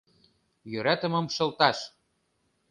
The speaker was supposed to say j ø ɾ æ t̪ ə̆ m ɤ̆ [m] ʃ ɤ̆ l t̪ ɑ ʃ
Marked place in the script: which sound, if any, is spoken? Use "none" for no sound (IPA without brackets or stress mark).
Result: m